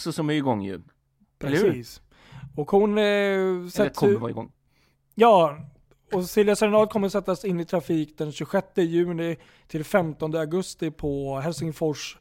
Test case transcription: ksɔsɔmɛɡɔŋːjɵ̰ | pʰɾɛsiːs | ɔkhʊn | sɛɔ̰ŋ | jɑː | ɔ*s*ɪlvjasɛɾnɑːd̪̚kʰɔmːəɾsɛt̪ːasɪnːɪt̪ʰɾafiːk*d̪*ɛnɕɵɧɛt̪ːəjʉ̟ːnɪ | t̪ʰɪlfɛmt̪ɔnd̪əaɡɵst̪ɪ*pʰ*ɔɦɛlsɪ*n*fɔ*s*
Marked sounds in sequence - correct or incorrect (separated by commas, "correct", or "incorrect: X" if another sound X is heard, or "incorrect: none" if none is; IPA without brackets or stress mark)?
correct, correct, correct, incorrect: ŋ, incorrect: ʂ